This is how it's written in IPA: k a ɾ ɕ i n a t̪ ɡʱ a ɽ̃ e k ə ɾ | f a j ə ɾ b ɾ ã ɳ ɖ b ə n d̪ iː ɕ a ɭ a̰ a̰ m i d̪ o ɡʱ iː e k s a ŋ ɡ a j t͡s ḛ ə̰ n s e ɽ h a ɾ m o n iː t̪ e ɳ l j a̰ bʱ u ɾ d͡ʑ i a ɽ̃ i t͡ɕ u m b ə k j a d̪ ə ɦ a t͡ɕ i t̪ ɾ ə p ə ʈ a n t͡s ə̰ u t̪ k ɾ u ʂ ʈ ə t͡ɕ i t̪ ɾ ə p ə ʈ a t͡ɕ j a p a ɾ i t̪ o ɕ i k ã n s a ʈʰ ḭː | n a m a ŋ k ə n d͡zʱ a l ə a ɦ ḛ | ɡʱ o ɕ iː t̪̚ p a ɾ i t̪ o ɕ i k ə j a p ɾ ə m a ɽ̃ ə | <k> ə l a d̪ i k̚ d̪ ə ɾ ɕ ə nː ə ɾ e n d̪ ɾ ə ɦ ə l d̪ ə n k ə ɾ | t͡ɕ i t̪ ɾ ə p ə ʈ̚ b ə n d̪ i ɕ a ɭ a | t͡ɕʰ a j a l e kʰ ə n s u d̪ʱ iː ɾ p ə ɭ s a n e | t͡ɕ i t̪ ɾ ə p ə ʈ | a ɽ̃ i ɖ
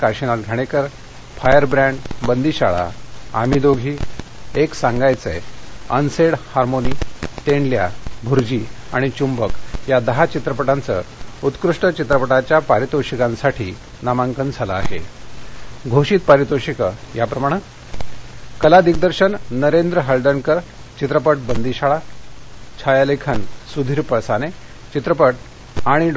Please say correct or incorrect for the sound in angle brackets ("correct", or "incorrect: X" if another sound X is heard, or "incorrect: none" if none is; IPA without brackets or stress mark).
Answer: correct